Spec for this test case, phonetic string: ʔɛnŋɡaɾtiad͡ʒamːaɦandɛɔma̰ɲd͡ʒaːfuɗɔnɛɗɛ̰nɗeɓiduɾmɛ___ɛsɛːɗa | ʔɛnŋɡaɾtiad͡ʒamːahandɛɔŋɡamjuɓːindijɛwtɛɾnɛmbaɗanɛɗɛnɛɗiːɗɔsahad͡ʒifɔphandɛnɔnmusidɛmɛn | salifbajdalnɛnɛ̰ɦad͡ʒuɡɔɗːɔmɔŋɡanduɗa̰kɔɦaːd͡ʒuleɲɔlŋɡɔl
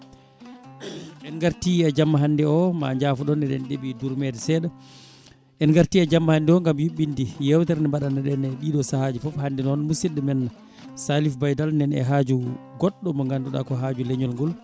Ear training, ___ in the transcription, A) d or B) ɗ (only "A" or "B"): A